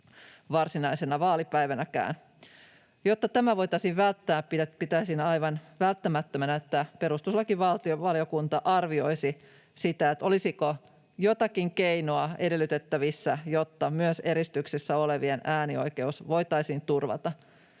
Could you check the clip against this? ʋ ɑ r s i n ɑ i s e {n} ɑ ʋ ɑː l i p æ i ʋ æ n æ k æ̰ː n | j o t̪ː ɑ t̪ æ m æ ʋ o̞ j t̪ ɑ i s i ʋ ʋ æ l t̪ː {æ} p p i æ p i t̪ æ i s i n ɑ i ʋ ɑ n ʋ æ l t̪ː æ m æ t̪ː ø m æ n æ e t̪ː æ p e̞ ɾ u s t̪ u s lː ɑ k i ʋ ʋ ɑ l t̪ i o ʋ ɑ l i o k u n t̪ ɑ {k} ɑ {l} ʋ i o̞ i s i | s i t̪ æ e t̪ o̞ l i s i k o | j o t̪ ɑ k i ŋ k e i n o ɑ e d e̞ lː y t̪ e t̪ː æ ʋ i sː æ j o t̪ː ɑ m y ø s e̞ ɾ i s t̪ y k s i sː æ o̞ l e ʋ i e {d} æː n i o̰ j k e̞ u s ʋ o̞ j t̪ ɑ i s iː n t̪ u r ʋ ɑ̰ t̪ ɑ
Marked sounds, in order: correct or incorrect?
correct, incorrect: æː, incorrect: ʔ, incorrect: r, incorrect: n

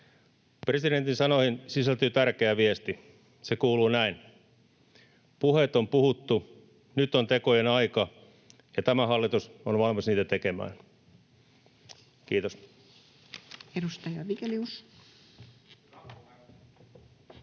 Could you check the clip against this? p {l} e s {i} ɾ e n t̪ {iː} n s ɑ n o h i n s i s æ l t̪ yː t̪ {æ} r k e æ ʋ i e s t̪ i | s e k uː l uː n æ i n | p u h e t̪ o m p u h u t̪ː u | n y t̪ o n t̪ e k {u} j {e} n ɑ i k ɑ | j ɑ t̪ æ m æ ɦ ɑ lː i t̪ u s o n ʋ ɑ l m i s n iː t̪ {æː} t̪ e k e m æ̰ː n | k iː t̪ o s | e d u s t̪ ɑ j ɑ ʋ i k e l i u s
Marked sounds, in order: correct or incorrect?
incorrect: r, correct, incorrect: i, correct, incorrect: o, correct, incorrect: æ

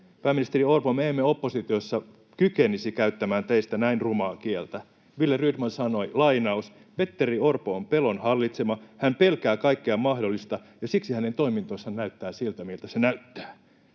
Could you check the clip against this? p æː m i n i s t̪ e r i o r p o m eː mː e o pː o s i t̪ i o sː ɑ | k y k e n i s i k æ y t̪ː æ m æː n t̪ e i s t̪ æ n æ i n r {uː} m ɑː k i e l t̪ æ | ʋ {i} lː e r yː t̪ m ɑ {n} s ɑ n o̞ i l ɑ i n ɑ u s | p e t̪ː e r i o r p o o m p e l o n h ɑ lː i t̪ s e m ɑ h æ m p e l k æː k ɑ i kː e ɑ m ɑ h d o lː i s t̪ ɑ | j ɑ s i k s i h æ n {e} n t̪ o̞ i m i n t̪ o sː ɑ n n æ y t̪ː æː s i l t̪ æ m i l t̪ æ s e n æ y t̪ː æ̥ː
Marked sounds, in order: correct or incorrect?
incorrect: u, correct, correct, correct

